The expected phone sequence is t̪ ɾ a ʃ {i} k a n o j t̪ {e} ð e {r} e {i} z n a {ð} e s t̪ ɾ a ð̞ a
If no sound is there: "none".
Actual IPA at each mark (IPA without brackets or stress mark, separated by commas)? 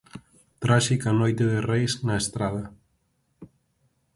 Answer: i, e, r, j, none